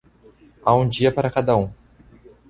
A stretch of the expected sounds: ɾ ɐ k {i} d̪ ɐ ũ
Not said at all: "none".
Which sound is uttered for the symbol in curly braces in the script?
a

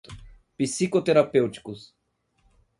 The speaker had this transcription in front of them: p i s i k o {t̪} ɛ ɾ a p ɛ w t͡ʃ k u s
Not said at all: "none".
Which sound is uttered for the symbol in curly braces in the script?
t̪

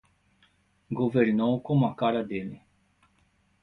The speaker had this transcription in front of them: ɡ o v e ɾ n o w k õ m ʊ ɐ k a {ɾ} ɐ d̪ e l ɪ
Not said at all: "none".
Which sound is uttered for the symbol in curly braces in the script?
ɾ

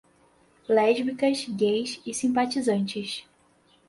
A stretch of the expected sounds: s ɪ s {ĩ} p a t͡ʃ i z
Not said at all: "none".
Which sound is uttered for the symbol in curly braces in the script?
ĩ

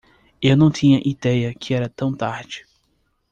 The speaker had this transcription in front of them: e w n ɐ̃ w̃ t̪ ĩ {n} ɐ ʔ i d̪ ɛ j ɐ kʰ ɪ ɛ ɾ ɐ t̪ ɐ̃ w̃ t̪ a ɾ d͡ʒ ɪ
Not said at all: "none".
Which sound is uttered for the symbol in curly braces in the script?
ɲ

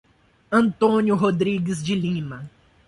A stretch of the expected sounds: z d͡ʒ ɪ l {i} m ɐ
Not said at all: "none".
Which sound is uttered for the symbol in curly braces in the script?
ĩ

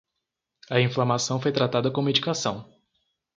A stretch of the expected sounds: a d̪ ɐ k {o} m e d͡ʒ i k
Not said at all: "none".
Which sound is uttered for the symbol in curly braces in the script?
õ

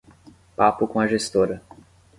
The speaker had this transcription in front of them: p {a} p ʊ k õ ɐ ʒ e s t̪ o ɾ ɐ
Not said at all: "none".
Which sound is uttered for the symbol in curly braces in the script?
a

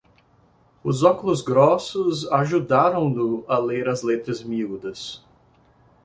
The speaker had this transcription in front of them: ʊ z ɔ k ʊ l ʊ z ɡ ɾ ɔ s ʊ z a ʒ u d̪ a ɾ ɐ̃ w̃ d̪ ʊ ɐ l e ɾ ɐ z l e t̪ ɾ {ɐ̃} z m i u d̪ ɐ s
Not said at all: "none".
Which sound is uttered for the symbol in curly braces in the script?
ɐ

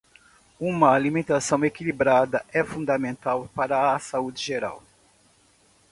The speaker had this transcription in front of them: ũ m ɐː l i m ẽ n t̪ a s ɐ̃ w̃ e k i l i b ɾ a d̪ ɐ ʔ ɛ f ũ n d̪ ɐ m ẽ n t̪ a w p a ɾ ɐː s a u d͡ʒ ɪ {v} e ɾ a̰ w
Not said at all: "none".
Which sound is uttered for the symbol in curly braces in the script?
ʒ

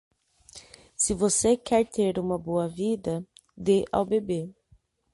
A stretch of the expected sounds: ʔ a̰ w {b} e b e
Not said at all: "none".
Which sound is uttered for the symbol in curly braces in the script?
b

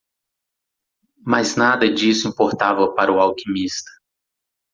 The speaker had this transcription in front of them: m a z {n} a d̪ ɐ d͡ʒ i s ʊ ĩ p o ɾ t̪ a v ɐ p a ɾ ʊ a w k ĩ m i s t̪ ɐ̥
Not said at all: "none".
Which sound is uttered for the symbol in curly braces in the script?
n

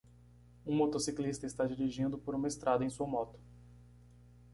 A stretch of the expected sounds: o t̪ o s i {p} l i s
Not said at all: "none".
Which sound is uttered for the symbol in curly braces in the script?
k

